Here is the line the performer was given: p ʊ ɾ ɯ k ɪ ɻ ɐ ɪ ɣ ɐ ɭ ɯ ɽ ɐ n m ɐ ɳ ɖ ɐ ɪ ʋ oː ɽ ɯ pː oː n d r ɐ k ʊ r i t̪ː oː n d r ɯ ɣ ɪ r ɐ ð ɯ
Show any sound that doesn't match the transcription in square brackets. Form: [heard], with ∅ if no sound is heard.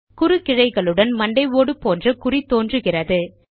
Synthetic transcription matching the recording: [k] ʊ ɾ ɯ k ɪ ɻ ɐ ɪ ɣ ɐ ɭ ɯ ɽ ɐ n m ɐ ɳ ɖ ɐ ɪ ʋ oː ɽ ɯ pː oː n d r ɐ k ʊ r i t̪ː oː n d r ɯ ɣ ɪ r ɐ ð ɯ